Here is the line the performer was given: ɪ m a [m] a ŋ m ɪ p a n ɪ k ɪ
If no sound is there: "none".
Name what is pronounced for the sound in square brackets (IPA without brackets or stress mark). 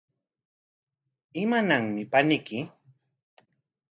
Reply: n